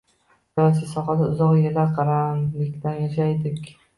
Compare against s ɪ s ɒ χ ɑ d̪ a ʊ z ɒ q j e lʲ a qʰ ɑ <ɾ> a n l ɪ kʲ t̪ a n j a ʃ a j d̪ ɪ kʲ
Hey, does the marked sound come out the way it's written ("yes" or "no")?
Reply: yes